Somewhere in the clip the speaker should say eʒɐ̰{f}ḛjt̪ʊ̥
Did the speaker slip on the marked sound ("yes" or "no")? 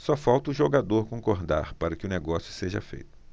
no